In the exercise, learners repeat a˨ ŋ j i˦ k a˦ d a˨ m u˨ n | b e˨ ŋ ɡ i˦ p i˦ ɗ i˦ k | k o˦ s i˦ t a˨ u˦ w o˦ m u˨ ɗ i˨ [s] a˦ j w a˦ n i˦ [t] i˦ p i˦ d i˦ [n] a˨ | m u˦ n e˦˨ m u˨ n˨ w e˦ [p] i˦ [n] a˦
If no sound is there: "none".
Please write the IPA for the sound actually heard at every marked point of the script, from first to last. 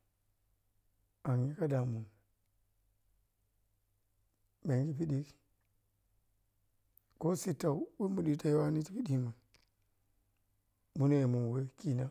t, t, m, k, n

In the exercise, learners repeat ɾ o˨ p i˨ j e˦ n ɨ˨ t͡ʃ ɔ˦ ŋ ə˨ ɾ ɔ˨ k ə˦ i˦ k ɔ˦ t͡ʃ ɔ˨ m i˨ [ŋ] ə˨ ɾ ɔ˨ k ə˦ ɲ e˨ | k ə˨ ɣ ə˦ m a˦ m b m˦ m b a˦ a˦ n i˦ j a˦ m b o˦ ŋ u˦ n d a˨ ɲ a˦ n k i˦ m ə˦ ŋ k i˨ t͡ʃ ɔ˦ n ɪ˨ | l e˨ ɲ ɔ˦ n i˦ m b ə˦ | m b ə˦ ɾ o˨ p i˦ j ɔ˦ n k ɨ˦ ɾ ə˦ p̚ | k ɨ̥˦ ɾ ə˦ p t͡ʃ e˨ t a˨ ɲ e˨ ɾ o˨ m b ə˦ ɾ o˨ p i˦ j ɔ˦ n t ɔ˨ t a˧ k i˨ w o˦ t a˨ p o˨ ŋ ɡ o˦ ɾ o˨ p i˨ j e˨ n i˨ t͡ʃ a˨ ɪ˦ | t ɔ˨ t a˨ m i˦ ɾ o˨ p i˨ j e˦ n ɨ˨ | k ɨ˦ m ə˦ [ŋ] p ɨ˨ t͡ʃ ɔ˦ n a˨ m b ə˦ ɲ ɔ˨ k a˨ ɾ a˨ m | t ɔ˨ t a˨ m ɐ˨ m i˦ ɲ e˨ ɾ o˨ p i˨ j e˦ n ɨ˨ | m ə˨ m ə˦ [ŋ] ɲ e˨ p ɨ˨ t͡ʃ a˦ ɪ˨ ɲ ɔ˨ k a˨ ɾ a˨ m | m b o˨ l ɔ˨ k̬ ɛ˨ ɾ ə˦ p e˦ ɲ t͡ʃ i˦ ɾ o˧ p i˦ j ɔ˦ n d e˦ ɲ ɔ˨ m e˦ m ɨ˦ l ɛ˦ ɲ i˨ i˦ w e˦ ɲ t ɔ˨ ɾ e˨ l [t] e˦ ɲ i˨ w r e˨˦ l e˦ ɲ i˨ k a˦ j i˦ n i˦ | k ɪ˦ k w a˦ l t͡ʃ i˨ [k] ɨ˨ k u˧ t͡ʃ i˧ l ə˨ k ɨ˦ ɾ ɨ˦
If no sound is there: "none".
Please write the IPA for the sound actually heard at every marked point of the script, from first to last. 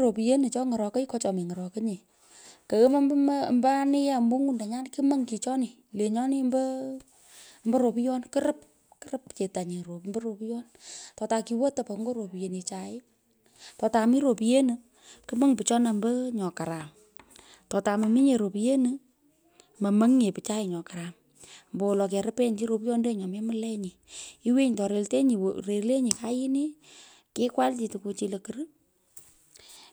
ŋ, ŋ, ŋ, t, t

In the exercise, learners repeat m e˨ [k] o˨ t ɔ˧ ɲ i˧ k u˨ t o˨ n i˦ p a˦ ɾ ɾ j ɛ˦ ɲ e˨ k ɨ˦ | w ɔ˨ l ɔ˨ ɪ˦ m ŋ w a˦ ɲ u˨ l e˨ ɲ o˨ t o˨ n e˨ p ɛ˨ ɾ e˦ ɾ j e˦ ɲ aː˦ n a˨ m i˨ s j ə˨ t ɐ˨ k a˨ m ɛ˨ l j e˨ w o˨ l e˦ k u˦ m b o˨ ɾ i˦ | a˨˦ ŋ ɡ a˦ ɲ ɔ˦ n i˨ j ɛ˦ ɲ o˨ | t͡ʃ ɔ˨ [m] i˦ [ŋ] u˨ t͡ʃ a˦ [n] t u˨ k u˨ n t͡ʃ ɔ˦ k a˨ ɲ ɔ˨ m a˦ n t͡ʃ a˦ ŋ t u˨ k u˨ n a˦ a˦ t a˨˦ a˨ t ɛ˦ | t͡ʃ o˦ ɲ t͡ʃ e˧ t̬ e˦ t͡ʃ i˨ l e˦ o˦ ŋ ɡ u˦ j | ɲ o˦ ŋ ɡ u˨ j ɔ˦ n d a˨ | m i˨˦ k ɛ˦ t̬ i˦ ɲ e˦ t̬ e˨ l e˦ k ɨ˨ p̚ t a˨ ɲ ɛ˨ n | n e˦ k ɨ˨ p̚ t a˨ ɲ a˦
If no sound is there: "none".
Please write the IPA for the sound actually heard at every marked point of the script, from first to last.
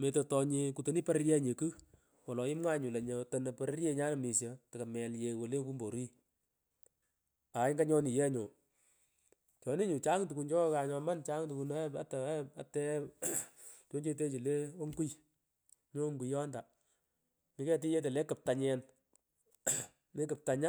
t, n, ɲ, ŋ

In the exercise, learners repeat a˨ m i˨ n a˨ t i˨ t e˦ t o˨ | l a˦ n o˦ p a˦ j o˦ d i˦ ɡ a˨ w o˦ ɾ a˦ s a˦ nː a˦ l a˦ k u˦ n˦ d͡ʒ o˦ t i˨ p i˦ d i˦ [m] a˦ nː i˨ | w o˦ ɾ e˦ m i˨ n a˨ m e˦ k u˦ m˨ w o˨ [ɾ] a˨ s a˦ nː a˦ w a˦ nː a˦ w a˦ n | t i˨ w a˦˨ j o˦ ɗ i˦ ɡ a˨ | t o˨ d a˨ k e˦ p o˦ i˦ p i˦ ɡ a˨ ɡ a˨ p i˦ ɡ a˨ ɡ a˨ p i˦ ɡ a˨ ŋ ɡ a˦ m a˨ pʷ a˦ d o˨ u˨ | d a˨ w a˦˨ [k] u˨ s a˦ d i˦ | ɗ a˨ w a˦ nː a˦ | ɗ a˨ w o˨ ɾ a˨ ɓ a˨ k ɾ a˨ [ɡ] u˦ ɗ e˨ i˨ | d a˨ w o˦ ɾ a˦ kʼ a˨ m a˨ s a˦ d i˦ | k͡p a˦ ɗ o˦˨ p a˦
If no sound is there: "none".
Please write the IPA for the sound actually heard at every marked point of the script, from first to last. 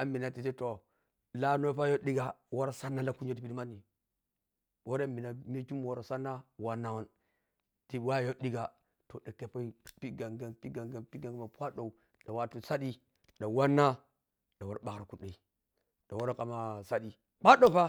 m, ɾ, t, k

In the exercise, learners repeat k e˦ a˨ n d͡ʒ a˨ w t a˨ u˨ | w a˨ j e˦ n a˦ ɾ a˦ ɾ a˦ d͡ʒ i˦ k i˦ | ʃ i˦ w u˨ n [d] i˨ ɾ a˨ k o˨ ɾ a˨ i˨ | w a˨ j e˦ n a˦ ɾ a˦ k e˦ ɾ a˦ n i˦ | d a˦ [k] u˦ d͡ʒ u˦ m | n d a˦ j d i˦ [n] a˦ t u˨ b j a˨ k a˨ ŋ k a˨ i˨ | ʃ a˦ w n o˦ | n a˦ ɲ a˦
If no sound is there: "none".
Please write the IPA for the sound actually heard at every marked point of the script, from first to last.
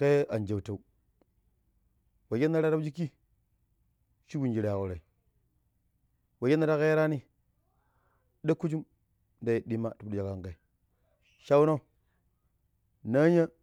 d͡ʒ, k, m

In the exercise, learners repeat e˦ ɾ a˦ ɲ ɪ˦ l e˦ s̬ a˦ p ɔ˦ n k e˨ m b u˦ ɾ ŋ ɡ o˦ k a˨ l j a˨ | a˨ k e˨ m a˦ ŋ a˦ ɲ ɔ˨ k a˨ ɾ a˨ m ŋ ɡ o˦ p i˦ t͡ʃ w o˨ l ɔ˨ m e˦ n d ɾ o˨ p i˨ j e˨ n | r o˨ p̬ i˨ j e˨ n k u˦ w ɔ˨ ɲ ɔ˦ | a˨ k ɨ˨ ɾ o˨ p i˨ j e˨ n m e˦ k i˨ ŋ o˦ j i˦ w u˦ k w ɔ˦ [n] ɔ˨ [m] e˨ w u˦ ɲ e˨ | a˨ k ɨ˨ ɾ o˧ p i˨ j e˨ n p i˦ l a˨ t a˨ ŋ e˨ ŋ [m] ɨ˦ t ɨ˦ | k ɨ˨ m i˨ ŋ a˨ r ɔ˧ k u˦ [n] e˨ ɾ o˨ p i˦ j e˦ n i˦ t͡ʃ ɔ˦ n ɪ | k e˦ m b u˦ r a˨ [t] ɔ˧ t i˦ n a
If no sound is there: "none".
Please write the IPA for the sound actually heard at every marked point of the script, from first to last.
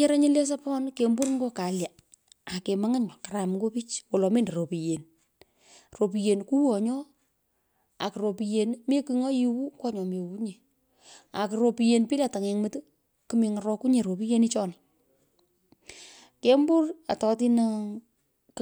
ɲ, m, m, ɲ, t

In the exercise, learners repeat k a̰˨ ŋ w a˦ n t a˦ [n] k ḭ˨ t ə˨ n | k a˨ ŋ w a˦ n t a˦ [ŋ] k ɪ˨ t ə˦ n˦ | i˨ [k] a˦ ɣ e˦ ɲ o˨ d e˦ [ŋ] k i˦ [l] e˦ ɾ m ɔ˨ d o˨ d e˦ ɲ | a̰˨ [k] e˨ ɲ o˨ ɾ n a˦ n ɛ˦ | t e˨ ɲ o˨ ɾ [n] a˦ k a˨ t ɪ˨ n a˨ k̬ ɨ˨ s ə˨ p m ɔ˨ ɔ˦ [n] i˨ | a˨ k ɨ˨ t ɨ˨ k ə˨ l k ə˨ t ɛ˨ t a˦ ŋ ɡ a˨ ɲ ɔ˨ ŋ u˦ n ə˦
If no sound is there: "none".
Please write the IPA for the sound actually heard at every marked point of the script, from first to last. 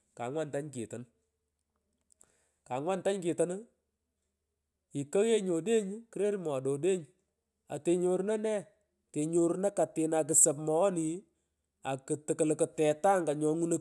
ɲ, ɲ, k, ɲ, ɾ, t, n, n

